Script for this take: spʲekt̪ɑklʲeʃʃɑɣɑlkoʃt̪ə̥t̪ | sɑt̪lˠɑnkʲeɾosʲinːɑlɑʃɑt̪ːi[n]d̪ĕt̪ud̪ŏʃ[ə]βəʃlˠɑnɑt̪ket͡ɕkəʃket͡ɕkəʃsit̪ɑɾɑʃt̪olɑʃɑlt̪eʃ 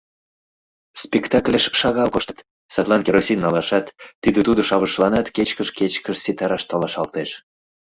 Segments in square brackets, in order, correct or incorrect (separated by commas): incorrect, incorrect